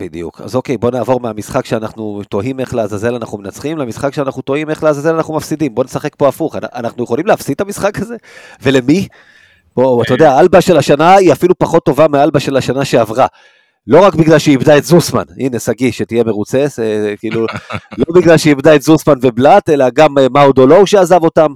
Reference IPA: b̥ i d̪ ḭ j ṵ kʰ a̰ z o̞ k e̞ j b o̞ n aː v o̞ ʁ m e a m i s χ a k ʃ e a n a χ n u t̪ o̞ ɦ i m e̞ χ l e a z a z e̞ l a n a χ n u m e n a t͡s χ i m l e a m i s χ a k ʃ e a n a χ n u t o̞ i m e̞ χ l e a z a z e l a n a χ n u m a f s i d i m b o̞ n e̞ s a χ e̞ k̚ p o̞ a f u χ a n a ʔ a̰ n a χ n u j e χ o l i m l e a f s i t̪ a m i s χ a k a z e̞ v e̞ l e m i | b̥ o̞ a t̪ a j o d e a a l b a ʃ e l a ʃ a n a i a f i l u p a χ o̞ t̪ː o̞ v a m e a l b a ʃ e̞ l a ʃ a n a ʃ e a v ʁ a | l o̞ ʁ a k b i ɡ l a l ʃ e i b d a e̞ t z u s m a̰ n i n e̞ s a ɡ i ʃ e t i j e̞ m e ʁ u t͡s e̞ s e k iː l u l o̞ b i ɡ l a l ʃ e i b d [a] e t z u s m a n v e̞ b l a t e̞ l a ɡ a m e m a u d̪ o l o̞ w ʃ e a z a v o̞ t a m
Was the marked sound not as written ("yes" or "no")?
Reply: no